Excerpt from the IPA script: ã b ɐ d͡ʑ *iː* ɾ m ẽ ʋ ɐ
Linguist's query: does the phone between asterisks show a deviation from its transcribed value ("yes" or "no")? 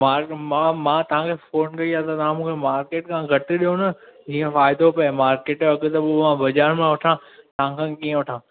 yes